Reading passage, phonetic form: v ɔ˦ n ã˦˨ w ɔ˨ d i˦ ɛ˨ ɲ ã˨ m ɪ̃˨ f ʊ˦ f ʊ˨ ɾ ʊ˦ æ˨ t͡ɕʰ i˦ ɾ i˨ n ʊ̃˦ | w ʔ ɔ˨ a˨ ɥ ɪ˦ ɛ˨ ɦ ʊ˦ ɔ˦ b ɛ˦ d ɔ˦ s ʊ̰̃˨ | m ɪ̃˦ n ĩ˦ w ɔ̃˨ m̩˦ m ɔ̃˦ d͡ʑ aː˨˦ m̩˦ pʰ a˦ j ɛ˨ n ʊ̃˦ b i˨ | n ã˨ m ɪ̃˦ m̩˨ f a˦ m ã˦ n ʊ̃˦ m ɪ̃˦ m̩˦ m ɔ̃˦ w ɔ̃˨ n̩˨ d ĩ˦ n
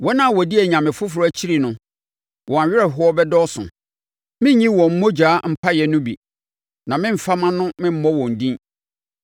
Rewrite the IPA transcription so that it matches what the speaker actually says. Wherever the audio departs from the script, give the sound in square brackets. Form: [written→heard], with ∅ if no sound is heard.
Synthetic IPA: [v→w] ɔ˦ n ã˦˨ w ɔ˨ d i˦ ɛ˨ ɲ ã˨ m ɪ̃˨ f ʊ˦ f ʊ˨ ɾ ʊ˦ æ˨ t͡ɕʰ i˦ ɾ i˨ n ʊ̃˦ | w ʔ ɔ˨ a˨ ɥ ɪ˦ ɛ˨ ɦ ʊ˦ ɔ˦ b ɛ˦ d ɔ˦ s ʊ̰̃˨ | m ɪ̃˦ [n→ɲ] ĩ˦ w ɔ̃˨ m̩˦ m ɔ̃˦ d͡ʑ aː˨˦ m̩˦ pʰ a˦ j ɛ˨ n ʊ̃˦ b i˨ | n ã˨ m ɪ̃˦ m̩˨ f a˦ m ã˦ n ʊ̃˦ m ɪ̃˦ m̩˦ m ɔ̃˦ w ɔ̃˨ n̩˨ d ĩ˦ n